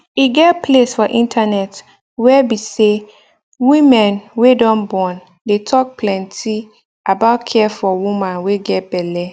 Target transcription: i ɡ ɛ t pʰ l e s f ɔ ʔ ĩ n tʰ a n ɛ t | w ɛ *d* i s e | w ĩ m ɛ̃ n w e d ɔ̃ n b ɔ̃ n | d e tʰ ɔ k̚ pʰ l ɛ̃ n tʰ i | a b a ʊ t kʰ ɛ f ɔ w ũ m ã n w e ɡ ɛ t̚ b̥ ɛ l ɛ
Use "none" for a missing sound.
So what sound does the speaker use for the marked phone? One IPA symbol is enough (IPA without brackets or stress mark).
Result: b